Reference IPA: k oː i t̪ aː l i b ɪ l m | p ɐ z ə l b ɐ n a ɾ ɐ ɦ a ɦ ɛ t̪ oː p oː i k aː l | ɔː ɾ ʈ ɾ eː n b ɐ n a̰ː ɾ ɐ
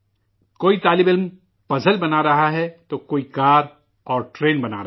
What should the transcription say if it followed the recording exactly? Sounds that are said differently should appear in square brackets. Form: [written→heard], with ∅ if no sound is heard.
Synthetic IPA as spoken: k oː i t̪ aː l [i→ɪ] b ɪ l m | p ɐ z ə l b ɐ n a ɾ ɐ ɦ a ɦ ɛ t̪ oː [p→k] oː i k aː [l→ɾ] | ɔː ɾ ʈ ɾ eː n b ɐ n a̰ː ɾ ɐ